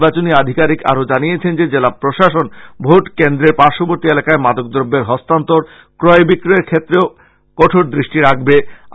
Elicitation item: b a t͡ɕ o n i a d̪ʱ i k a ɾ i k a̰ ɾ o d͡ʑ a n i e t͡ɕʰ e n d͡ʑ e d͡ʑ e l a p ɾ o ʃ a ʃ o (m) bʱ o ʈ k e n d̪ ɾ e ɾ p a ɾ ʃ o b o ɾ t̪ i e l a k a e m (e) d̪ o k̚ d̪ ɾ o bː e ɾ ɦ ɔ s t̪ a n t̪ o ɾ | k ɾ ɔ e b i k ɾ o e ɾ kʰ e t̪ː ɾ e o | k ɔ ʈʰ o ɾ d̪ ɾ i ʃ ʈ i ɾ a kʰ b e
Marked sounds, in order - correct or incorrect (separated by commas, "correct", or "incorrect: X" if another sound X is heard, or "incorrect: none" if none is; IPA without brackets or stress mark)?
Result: incorrect: n, incorrect: a